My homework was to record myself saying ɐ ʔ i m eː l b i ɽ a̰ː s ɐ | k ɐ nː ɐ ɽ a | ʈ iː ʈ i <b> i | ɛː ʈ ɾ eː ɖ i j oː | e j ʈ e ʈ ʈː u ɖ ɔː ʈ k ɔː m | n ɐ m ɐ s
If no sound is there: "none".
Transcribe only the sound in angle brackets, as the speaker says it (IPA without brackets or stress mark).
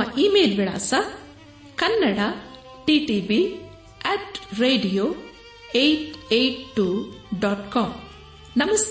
b